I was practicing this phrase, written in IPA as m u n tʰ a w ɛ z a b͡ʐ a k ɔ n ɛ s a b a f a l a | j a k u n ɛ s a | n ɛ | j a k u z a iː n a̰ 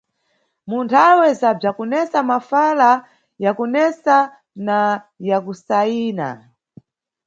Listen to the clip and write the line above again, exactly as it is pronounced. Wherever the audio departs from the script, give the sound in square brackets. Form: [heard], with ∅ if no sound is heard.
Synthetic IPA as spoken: m u n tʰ a w ɛ z a b͡ʐ a k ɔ n ɛ s a [m] a f a l a | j a k u n ɛ s a | n [a] | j a k u [s] a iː n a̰